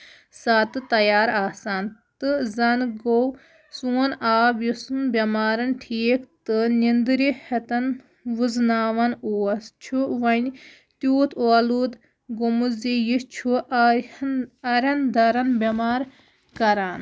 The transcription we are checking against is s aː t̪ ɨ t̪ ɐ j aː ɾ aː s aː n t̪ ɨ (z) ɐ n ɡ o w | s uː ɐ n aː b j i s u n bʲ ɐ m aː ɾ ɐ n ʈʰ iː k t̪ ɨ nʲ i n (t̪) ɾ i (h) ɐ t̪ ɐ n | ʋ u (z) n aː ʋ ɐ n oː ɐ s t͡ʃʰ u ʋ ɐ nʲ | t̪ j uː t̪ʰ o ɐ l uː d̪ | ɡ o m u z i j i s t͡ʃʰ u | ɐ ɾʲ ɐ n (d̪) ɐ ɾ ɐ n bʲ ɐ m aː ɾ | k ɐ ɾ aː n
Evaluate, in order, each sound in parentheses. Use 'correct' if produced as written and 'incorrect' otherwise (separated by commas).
correct, incorrect, correct, correct, correct